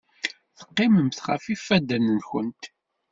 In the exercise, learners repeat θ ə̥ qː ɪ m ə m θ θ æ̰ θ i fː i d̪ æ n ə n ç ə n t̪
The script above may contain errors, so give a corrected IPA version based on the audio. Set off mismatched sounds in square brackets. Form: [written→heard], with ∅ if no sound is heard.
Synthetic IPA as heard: θ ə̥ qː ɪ m ə m θ [θ→χ] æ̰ [θ→f] i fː [i→æ] d̪ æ n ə n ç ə n t̪

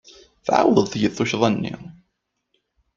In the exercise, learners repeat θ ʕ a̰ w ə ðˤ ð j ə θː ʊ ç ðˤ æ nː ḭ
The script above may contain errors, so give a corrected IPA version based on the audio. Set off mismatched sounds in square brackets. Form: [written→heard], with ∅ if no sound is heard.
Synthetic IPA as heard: θ ʕ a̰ w ə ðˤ [ð→θ] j ə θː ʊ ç ðˤ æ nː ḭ

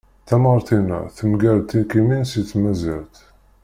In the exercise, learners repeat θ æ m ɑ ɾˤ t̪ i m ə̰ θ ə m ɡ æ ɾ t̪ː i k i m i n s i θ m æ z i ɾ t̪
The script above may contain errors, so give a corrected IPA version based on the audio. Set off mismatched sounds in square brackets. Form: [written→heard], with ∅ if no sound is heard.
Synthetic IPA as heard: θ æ m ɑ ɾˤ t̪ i [m→n] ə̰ θ ə m ɡ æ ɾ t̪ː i k i m i n s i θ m æ z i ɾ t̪

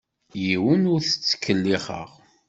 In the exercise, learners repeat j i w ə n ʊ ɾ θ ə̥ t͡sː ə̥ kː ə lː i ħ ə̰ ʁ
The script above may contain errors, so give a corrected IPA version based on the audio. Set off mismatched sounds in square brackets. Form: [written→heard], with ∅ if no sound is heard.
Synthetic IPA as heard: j i w ə n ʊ ɾ θ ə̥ t͡sː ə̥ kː ə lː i [ħ→χ] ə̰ ʁ

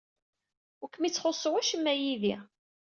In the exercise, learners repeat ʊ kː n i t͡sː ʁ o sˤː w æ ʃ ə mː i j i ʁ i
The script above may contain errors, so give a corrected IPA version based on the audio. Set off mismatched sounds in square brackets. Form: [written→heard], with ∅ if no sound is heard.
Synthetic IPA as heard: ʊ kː [n→m] i t͡sː [ʁ→χ] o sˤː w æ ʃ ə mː [i→æ] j i [ʁ→ð] i

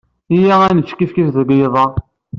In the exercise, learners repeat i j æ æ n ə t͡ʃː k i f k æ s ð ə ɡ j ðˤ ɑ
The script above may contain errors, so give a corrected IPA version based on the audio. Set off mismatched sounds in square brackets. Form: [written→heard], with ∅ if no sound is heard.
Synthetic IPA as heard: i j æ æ n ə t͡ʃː k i f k [æ→i] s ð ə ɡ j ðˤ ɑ

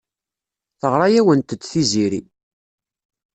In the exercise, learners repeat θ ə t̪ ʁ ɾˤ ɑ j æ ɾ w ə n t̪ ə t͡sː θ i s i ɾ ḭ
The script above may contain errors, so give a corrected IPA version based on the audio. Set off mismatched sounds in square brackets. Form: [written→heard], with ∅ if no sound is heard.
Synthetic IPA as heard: θ ə [t̪→∅] ʁ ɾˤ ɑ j æ [ɾ→∅] w ə n t̪ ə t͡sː θ i [s→z] i ɾ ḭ

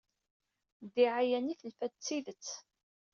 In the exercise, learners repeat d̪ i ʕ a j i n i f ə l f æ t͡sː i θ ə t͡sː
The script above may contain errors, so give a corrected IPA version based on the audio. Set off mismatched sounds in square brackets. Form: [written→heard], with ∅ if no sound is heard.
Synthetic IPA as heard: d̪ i ʕ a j [i→æ] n i [f→θ] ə l f æ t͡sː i [θ→ð] ə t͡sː

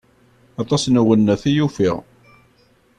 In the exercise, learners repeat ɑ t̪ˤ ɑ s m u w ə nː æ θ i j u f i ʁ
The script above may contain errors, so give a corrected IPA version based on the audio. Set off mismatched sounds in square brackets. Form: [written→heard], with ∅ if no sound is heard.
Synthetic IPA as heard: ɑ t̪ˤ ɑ s [m→n] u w ə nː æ θ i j u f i ʁ

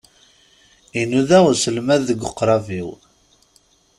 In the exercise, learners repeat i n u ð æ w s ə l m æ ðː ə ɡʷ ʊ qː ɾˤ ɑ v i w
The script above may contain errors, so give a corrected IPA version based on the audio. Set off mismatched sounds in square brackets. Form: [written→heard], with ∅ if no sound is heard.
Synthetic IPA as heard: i n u ð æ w s ə l m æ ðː ə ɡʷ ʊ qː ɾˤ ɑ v i w

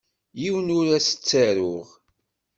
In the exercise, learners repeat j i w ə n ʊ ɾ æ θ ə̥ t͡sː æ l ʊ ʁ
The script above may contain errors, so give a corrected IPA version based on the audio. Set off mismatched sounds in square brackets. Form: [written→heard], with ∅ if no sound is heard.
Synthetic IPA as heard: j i w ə n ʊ ɾ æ [θ→s] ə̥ t͡sː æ [l→ɾ] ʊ ʁ

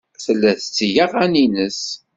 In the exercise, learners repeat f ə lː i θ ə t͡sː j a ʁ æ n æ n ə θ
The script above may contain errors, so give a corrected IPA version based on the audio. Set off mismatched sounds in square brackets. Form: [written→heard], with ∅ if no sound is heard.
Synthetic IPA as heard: [f→θ] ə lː [i→æ] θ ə t͡sː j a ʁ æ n [æ→i] n ə [θ→s]

